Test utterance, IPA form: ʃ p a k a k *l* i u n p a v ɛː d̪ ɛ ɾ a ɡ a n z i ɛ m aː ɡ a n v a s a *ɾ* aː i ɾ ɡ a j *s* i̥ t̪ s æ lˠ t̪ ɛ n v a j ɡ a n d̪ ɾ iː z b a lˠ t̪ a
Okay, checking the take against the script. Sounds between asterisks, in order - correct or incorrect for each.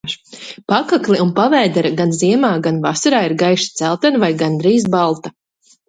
correct, correct, incorrect: ʃ

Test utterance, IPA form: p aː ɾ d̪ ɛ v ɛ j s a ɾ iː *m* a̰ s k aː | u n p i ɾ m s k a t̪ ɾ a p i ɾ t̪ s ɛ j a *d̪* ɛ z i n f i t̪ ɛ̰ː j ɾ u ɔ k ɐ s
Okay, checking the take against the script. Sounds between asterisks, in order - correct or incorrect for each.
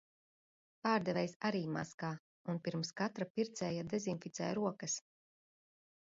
correct, correct

